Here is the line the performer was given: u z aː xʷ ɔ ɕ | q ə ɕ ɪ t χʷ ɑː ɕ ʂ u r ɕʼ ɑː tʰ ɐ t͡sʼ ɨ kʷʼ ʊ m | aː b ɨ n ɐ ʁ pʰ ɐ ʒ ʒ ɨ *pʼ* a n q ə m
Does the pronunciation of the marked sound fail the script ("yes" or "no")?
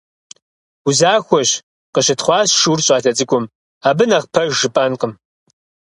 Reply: no